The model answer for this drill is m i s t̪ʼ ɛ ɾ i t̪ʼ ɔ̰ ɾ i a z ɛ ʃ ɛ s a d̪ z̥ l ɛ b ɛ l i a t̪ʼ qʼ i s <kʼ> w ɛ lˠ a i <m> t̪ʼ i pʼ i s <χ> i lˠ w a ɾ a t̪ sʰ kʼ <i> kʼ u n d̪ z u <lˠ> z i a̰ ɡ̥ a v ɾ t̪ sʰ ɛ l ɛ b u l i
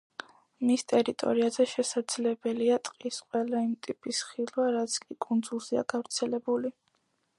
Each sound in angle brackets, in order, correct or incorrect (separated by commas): incorrect, correct, correct, correct, correct